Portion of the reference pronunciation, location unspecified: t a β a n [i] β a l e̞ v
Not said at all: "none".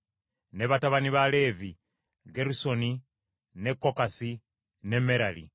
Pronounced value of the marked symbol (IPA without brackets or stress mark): i